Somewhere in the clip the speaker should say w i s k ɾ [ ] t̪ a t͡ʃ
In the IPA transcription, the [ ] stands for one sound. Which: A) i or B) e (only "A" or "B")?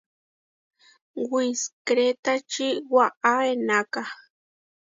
B